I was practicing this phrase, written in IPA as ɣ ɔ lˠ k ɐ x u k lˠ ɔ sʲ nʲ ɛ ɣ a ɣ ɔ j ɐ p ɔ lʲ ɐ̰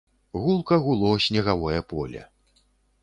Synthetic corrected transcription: ɣ u lˠ k ɐ ɣ u lˠ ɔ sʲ nʲ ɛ ɣ a v ɔ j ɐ p ɔ lʲ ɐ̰